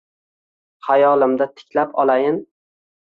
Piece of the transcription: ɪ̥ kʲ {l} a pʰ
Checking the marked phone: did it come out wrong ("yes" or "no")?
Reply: no